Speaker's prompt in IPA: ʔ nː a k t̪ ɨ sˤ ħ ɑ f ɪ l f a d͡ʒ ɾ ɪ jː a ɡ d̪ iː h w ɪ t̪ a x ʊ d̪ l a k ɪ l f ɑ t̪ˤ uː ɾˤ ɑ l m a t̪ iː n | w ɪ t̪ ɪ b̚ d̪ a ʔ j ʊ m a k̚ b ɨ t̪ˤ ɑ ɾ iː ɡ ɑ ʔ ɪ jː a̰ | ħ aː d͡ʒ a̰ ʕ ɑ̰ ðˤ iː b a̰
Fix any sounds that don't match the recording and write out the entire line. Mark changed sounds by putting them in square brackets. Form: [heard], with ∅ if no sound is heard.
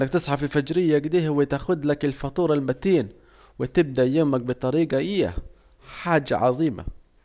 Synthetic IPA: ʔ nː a k t̪ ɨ sˤ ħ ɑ f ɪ l f a d͡ʒ ɾ ɪ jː a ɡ d̪ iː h w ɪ t̪ a x ʊ d̪ l a k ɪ l f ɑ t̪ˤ uː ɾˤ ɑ l m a t̪ iː n | w ɪ t̪ ɪ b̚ d̪ a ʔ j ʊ m a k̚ b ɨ t̪ˤ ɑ ɾ iː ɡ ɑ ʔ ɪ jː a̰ | ħ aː d͡ʒ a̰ ʕ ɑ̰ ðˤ iː [m] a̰

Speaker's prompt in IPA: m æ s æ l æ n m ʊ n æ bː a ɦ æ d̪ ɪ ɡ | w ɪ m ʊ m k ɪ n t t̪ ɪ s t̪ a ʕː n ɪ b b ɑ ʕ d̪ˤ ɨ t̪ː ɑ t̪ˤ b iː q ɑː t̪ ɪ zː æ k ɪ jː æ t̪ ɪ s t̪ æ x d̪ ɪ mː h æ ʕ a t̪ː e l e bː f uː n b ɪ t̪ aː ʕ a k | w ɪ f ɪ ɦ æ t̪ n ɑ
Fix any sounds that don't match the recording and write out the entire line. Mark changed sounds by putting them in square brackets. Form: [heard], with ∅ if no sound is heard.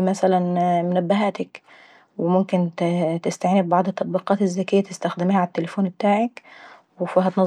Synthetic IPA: m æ s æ l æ n m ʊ n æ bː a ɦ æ [t̪] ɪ [k] | w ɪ m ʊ m k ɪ n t t̪ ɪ s t̪ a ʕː n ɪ b b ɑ ʕ d̪ˤ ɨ t̪ː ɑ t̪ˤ b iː q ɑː t̪ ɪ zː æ k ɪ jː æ t̪ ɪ s t̪ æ x d̪ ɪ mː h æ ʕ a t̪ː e l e [∅] f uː n b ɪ t̪ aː ʕ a k | w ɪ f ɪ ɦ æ t̪ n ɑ

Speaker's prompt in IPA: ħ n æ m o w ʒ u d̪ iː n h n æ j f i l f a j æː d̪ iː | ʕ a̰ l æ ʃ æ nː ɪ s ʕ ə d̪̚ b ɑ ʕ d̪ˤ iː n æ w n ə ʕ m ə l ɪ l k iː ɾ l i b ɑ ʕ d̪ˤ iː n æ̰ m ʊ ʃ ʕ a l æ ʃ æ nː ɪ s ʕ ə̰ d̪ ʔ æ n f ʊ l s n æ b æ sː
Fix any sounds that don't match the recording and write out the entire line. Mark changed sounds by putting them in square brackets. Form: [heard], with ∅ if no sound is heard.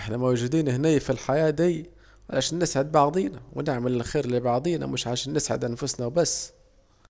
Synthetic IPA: ħ n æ m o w ʒ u d̪ iː n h n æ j f i l [ħ] a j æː d̪ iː | ʕ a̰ l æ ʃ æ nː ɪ s ʕ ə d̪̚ b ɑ ʕ d̪ˤ iː n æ w n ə ʕ m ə l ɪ l [x] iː ɾ l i b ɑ ʕ d̪ˤ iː n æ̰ m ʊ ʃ ʕ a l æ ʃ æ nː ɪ s ʕ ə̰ d̪ ʔ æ n f ʊ [∅] s n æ b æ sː

